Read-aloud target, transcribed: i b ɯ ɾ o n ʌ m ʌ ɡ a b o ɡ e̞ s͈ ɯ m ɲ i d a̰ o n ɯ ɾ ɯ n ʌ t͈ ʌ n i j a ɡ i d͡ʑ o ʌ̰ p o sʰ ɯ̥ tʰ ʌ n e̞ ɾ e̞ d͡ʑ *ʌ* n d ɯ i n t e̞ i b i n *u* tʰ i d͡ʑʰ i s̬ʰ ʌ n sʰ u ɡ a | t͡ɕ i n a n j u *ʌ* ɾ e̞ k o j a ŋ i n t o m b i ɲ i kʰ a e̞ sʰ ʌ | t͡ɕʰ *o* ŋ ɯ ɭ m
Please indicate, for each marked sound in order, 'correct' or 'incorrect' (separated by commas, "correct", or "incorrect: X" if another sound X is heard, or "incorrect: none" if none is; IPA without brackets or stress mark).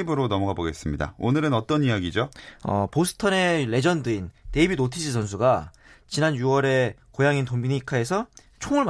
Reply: correct, incorrect: o, correct, correct